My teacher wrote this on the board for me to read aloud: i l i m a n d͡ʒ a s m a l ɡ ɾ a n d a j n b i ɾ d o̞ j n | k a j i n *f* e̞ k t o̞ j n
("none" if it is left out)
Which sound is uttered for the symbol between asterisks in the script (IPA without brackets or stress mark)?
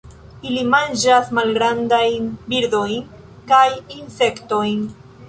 s